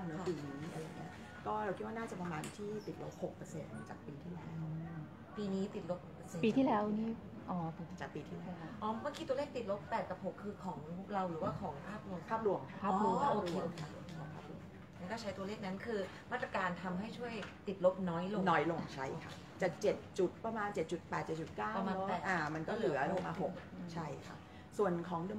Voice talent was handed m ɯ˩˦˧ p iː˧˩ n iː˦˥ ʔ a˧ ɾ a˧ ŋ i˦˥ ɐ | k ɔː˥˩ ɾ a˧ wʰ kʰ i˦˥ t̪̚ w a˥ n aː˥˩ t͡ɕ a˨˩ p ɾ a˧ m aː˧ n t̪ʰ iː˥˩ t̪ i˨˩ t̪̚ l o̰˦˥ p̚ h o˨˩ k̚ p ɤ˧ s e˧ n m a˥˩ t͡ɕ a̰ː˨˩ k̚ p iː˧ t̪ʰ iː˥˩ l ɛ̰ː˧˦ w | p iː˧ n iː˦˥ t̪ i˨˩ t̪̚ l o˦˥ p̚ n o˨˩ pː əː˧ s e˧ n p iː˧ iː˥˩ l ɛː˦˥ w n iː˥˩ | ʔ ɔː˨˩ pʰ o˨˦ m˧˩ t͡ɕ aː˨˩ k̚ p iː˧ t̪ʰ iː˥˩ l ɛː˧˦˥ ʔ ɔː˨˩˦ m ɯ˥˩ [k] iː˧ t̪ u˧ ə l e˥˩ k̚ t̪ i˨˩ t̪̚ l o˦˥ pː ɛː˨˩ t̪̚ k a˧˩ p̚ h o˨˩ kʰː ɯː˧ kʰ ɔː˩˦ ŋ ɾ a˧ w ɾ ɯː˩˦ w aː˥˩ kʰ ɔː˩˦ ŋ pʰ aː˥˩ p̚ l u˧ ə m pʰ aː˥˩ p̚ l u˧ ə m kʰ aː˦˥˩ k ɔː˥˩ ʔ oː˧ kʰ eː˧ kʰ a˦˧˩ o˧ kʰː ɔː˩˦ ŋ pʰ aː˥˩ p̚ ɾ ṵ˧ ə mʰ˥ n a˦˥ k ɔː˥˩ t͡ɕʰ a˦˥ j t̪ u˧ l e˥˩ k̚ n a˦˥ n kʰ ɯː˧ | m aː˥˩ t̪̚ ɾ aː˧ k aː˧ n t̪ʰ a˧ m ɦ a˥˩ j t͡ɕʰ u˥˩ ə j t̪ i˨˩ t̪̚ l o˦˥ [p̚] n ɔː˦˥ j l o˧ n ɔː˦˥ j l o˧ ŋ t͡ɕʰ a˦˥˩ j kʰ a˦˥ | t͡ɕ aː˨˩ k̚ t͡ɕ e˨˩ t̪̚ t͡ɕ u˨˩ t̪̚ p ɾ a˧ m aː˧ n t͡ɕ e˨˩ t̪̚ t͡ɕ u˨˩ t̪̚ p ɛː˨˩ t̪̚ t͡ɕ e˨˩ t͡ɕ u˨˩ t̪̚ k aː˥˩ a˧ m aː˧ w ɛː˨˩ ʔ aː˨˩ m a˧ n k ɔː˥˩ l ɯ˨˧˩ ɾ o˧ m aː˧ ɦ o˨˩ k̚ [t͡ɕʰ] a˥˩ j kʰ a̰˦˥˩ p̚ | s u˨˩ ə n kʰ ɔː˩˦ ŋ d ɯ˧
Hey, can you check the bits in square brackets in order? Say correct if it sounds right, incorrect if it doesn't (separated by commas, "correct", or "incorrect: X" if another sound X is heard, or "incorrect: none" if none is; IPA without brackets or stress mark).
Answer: correct, correct, correct